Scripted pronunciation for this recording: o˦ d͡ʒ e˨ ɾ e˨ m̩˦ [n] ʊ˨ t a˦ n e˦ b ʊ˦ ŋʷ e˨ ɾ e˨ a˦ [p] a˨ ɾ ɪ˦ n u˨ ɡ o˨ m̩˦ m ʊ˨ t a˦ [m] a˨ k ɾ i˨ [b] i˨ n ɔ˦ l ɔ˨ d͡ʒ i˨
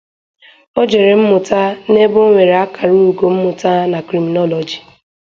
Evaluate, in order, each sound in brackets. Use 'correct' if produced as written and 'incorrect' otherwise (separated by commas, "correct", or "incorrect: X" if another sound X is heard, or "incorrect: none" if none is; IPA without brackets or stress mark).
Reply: incorrect: m, incorrect: k, incorrect: n, incorrect: m